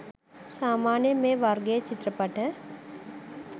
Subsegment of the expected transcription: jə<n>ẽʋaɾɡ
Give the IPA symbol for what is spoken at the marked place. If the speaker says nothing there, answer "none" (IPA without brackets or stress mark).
m